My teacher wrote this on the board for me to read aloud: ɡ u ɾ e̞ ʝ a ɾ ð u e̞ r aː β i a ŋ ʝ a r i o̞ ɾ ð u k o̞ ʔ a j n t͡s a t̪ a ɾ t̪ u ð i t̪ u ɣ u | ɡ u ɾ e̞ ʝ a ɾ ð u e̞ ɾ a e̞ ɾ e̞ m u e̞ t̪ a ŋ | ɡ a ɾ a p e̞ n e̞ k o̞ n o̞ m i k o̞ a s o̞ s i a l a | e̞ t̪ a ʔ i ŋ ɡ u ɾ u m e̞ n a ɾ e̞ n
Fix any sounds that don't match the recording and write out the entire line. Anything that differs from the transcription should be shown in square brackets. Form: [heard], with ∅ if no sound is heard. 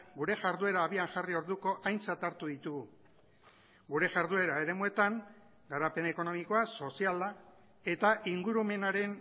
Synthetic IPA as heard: ɡ u ɾ e̞ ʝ a ɾ ð u e̞ [ɾ] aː β i a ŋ ʝ a r i o̞ ɾ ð u k o̞ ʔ a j n t͡s a t̪ a ɾ t̪ u ð i t̪ u ɣ u | ɡ u ɾ e̞ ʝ a ɾ ð u e̞ ɾ a e̞ ɾ e̞ m u e̞ t̪ a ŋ | ɡ a ɾ a p e̞ n e̞ k o̞ n o̞ m i k o̞ a s o̞ s i a l a | e̞ t̪ a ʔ i ŋ ɡ u ɾ u m e̞ n a ɾ e̞ n

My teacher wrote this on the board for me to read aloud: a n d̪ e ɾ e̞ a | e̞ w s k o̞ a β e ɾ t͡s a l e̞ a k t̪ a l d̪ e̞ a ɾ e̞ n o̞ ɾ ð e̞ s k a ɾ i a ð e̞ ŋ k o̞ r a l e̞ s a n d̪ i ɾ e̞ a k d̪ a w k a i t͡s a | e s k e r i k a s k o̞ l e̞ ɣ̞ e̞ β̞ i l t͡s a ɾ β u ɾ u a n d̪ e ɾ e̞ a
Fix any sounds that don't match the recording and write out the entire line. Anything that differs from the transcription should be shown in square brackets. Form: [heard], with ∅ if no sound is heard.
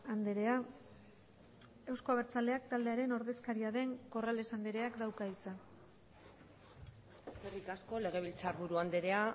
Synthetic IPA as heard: a n d̪ e ɾ e̞ a | e̞ w s k o̞ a β e ɾ t͡s a l e̞ a k t̪ a l d̪ e̞ a ɾ e̞ n o̞ ɾ ð e̞ s k a ɾ i a ð e̞ ŋ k o̞ r a l e̞ s a n d̪ [e] ɾ e̞ a k d̪ a w k a i t͡s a | e s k e r i k a s k o̞ l e̞ ɣ̞ e̞ β̞ i l t͡s a ɾ β u ɾ u a n d̪ e ɾ e̞ a

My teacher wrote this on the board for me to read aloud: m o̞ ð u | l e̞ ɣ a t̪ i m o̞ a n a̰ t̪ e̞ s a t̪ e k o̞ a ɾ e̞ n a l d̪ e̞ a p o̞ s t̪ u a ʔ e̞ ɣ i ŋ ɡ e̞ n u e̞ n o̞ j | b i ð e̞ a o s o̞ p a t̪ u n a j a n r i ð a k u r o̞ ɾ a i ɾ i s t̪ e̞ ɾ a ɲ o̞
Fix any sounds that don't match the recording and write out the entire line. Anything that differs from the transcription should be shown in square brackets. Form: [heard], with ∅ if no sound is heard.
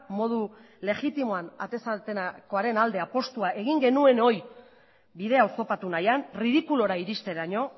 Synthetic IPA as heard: m o̞ ð u | l e̞ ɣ [i] t̪ i m o̞ a n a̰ t̪ e̞ s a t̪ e k o̞ a ɾ e̞ n a l d̪ e̞ a p o̞ s t̪ u a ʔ e̞ ɣ i ŋ ɡ e̞ n u e̞ n o̞ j | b i ð e̞ a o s o̞ p a t̪ u n a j a n r i ð [i] k u [l] o̞ ɾ a i ɾ i s t̪ e̞ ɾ a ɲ o̞

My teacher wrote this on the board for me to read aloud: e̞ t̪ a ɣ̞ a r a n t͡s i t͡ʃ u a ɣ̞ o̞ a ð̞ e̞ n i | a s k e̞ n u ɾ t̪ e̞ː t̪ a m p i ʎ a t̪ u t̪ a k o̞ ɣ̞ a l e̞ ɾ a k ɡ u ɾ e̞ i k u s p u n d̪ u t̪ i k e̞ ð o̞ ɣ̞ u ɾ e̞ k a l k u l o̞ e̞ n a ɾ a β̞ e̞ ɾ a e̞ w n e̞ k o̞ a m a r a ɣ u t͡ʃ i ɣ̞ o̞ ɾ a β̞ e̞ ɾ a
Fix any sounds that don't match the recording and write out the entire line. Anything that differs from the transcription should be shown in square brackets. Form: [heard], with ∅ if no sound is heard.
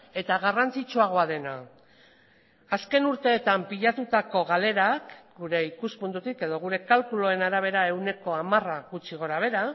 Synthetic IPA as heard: e̞ t̪ a ɣ̞ a r a n t͡s i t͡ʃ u a ɣ̞ o̞ a ð̞ e̞ n [a] | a s k e̞ n u ɾ t̪ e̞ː t̪ a m p i ʎ a t̪ u t̪ a k o̞ ɣ̞ a l e̞ ɾ a k ɡ u ɾ e̞ i k u s p u n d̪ u t̪ i k e̞ ð o̞ ɣ̞ u ɾ e̞ k a l k u l o̞ e̞ n a ɾ a β̞ e̞ ɾ a e̞ w n e̞ k o̞ a m a r a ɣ u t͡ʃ i ɣ̞ o̞ ɾ a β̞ e̞ ɾ a

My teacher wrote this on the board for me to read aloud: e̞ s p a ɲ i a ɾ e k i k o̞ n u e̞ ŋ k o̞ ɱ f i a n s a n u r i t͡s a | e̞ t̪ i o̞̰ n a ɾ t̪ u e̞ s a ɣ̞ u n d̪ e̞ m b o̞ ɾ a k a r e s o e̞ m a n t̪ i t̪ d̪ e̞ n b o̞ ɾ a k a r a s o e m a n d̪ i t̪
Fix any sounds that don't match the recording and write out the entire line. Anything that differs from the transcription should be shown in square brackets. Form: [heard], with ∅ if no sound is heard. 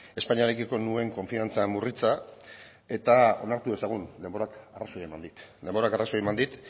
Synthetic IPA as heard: e̞ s p a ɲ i a ɾ e k i k o̞ n u e̞ ŋ k o̞ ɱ f i a n [t͡s] a [m] u r i t͡s a | e̞ t̪ [a] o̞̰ n a ɾ t̪ u e̞ s a ɣ̞ u n d̪ e̞ m b o̞ ɾ a k a r [a] s o e̞ m a n [d̪] i t̪ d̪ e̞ [m] b o̞ ɾ a k a r a s o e m a n d̪ i t̪

